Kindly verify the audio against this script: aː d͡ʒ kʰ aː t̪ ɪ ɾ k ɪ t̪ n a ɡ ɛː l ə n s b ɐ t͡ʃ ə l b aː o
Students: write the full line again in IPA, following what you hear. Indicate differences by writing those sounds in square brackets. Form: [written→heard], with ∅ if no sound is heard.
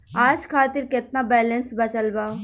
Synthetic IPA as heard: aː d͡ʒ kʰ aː t̪ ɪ ɾ k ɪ t̪ n a [ɡ→b] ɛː l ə n s b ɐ t͡ʃ ə l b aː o